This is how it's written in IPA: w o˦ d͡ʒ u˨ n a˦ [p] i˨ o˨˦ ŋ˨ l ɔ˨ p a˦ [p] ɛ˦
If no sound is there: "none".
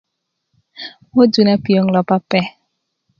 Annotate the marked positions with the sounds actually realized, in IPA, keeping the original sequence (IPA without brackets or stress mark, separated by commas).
p, p